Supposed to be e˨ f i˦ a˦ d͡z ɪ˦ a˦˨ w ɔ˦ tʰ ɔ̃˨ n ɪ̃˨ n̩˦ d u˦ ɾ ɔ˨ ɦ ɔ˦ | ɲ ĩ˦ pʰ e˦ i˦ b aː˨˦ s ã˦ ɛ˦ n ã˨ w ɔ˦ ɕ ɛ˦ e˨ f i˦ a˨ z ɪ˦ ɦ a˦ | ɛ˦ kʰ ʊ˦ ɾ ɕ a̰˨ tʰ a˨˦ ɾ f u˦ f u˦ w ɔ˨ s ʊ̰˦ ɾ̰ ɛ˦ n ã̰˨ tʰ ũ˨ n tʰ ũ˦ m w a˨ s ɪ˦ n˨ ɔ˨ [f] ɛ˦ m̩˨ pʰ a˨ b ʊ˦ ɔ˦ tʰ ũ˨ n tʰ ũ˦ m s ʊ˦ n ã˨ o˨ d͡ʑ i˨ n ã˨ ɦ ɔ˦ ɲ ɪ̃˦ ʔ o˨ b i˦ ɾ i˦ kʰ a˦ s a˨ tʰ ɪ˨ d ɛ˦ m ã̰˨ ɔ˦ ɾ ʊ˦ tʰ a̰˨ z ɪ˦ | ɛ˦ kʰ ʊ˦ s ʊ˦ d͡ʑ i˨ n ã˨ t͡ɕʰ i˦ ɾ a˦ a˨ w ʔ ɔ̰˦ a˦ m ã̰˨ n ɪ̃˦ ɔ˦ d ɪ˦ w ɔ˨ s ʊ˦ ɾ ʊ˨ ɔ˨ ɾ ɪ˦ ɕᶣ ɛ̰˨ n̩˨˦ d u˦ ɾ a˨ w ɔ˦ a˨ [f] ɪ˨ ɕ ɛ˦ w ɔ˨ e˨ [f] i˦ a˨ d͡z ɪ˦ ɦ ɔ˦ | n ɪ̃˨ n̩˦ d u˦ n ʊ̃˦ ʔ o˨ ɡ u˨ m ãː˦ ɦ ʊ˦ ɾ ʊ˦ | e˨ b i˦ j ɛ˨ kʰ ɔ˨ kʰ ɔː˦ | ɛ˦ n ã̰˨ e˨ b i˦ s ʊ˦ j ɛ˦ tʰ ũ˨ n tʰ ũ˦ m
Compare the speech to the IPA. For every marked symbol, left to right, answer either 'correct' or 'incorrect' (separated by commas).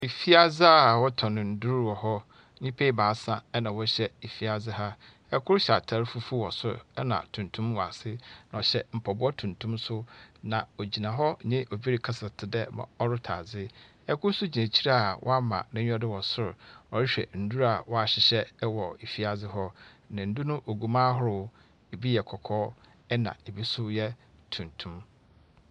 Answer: incorrect, incorrect, correct